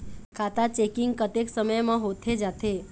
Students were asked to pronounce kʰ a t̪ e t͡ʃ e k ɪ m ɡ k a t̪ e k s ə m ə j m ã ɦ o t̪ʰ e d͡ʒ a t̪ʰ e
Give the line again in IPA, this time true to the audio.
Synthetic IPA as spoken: kʰ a t̪ a t͡ʃ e k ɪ ŋ ɡ k ə t̪ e k s ə m ə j m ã ɦ o t̪ʰ e d͡ʒ a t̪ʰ e